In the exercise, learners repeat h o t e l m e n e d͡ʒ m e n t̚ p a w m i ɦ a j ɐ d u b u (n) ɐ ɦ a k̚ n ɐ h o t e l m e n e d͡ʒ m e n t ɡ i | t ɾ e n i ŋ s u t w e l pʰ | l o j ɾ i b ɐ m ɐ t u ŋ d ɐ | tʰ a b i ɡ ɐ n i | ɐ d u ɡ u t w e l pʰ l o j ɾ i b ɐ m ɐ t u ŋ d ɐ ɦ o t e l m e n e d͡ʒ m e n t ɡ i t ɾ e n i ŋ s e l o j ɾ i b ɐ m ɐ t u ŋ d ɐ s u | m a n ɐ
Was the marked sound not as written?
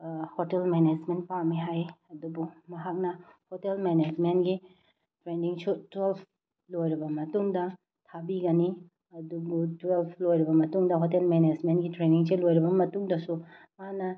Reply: yes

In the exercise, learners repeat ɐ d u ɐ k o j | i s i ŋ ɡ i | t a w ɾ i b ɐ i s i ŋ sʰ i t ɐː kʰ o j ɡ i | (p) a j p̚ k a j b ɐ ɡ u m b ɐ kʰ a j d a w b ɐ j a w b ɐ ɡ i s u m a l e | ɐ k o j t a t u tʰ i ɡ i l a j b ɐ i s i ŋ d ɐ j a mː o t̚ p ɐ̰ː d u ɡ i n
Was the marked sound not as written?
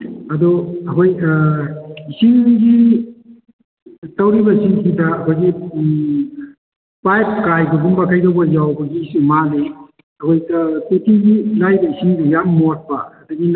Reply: no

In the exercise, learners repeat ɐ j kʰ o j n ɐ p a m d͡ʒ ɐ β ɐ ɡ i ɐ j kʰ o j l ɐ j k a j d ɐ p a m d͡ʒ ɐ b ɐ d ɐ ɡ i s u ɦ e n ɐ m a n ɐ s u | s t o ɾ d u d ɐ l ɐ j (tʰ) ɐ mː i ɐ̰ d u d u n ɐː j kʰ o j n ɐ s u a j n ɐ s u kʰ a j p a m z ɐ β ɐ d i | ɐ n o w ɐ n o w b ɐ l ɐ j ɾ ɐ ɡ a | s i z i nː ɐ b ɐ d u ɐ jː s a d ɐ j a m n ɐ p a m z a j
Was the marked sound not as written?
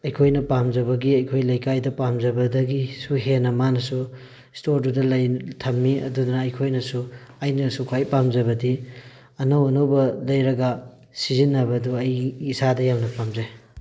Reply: no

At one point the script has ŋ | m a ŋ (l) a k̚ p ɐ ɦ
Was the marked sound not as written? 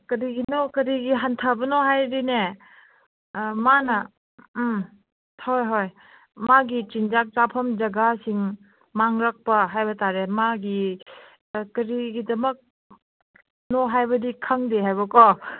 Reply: yes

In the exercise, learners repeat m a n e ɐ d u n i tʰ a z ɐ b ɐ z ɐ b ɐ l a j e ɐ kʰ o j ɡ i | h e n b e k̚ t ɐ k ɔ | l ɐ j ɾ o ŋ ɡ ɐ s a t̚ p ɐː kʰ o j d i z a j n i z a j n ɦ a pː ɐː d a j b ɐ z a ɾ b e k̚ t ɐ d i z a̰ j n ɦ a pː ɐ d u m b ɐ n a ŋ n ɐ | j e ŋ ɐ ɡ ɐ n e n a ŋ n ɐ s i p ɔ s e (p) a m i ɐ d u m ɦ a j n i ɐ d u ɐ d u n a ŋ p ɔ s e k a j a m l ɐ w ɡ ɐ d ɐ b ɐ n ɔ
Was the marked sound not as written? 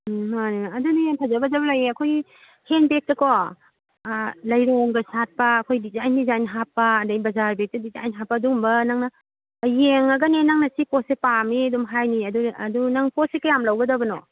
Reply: no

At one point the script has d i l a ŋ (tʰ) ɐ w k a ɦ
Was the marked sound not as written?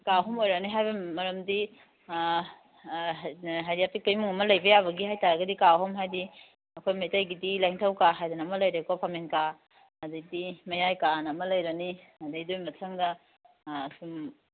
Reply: no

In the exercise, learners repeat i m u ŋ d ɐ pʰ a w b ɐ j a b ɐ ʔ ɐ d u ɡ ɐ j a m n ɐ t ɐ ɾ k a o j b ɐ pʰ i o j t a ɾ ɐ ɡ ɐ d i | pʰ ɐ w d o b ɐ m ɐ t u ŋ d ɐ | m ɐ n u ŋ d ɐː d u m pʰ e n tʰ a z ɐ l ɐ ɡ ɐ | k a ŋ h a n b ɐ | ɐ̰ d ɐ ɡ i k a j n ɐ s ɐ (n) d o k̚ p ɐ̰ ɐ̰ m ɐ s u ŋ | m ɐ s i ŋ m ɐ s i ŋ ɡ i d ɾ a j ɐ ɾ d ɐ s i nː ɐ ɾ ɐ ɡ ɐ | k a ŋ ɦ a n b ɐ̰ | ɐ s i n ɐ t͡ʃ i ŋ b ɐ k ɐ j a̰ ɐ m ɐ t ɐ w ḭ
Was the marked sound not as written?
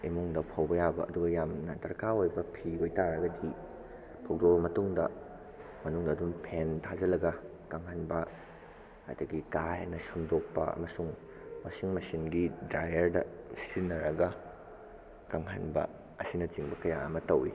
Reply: yes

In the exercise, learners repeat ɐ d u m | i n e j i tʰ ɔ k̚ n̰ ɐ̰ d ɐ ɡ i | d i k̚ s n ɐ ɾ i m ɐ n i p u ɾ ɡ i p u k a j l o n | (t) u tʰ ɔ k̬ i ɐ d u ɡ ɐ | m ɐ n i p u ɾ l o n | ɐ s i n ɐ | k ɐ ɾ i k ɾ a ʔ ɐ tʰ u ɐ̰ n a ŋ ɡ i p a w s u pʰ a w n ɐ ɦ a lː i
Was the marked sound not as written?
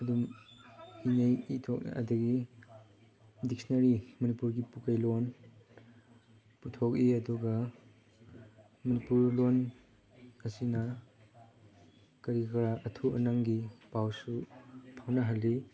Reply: yes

